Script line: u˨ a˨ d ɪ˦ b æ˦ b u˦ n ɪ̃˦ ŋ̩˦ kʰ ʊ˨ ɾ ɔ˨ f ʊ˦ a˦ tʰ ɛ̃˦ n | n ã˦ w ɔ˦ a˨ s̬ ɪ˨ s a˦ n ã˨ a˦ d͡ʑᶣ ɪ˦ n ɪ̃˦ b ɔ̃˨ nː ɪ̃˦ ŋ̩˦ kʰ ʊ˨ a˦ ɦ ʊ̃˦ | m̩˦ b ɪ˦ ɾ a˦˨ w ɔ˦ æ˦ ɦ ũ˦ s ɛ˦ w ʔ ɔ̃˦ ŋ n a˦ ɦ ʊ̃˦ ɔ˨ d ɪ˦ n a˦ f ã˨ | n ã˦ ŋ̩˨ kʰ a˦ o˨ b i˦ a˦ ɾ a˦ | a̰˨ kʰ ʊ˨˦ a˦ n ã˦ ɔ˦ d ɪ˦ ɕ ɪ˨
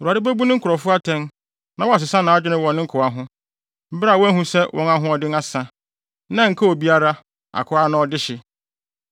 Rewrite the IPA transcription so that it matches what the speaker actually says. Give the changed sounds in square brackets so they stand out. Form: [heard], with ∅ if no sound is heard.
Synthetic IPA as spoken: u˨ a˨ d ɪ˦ b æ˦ b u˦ n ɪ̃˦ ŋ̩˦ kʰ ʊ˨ ɾ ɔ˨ f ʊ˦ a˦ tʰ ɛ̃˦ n | n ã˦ w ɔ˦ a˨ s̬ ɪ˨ s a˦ n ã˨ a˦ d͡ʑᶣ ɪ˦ n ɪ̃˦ [w] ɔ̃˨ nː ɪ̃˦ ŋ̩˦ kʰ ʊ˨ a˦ ɦ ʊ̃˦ | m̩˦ b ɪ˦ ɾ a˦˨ w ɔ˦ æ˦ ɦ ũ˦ s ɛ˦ w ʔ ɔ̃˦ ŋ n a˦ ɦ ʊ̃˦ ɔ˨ d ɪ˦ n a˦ [s] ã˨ | n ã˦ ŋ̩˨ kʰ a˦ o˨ b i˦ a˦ ɾ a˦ | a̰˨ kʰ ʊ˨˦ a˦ n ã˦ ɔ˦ d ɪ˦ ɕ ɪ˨